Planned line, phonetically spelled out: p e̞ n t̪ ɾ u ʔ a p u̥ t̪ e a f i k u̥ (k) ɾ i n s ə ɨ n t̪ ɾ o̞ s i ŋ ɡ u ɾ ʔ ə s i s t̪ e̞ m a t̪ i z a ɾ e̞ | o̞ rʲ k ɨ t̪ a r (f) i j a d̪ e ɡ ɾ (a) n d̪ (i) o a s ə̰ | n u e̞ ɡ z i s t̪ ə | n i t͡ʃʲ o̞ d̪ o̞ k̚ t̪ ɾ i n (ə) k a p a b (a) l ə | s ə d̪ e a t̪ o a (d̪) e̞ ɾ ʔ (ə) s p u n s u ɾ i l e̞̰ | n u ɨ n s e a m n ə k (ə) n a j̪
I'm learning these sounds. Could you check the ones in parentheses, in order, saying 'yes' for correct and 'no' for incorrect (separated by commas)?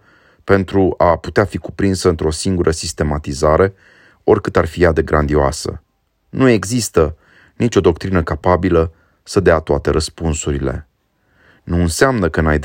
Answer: no, yes, yes, yes, yes, no, no, yes, yes